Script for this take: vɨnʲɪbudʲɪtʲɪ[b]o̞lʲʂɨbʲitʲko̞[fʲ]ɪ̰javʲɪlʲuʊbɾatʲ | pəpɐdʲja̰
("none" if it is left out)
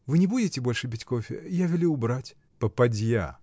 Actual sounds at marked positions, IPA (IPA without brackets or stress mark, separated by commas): b, fʲ